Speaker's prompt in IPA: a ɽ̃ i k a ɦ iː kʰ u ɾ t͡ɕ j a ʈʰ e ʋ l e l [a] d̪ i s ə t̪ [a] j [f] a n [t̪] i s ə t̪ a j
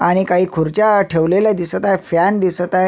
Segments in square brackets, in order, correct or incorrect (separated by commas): correct, correct, correct, incorrect